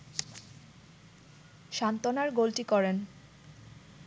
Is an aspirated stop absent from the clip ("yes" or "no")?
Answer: yes